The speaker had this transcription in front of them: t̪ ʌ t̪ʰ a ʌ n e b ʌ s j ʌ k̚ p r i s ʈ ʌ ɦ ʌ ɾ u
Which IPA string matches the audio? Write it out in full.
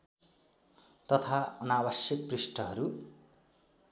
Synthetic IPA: t̪ ʌ t̪ʰ a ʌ n a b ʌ s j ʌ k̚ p r i s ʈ ʌ ɦ ʌ ɾ u